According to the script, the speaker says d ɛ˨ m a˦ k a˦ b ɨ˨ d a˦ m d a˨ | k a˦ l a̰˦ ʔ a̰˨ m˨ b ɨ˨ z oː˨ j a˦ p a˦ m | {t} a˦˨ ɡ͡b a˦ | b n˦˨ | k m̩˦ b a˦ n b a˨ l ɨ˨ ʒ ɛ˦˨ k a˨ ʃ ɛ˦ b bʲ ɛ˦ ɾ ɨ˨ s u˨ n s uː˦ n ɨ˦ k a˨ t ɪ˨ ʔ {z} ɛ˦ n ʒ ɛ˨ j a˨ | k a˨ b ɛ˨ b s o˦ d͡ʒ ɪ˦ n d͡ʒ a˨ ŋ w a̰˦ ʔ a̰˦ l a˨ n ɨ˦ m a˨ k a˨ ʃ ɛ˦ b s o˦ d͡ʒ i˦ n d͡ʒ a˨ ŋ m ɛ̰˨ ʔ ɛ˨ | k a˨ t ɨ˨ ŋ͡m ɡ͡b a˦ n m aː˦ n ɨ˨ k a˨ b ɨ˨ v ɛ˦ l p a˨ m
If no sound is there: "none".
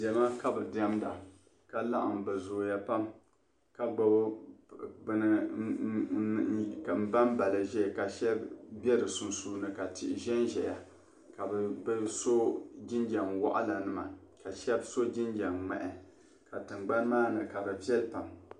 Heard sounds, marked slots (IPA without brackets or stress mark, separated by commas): k, ʒ